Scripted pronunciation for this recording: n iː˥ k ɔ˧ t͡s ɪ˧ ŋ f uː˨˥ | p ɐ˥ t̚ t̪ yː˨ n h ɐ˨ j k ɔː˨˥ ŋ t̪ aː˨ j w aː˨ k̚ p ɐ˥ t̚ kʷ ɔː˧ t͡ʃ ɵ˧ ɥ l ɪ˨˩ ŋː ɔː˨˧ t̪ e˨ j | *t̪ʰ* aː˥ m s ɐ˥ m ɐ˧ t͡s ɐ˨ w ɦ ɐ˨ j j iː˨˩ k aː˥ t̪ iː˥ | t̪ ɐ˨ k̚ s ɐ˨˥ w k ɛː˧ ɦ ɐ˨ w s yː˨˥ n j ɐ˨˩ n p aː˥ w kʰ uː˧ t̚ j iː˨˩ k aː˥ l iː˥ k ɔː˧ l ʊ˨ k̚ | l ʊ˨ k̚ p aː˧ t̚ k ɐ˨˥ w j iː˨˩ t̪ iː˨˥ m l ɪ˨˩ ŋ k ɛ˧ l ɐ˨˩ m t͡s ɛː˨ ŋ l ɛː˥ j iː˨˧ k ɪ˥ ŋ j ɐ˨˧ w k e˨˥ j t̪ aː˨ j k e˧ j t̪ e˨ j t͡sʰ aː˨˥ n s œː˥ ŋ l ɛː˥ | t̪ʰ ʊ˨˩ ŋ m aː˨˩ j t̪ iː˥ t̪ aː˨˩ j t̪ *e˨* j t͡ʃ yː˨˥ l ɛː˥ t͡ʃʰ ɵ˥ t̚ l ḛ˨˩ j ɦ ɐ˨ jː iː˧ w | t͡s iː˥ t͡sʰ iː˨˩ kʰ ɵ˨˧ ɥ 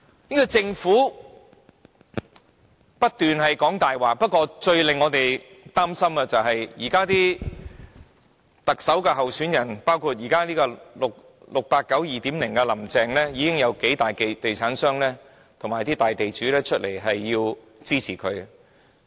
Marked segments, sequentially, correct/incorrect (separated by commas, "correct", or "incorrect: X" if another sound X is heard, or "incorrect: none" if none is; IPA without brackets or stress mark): incorrect: t̪, correct